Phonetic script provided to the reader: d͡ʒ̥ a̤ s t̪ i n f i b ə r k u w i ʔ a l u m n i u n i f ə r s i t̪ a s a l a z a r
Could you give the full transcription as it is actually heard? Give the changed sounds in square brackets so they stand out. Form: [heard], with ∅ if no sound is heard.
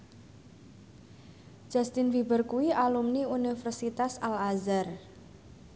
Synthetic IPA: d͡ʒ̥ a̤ s t̪ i n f i b ə r k u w i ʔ a l u m n i u n i f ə r s i t̪ a s a l a z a r

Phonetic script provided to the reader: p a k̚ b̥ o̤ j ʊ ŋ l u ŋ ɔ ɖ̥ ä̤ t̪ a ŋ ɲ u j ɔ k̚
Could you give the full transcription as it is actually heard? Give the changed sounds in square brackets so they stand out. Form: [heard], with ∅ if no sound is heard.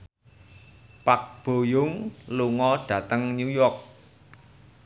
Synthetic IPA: p a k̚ b̥ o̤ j ʊ ŋ l u ŋ ɔ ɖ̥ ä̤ t̪ [ə] ŋ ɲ u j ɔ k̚

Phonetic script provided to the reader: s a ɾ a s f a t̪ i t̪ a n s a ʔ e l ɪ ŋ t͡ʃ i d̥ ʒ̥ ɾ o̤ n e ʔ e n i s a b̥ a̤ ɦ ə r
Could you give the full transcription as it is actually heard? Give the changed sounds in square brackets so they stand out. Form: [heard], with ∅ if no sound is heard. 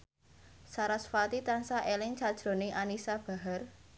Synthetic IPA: s a ɾ a s f a t̪ i t̪ a n s a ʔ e l ɪ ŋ t͡ʃ [a] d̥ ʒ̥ ɾ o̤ n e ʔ [a] n i s a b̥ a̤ ɦ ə r

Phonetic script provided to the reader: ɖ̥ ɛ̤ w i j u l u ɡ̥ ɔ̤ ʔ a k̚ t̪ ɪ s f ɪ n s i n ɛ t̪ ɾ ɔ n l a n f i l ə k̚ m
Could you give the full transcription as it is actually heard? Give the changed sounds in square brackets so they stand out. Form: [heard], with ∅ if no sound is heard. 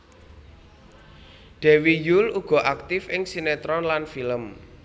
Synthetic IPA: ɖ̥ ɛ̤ w i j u l u ɡ̥ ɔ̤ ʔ a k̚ t̪ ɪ [∅] f ɪ [ŋ] s i n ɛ t̪ ɾ ɔ n l a n f i l ə [∅] m

